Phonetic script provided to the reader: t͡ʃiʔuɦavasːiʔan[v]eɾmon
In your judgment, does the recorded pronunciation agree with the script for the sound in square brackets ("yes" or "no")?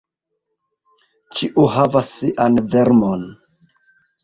yes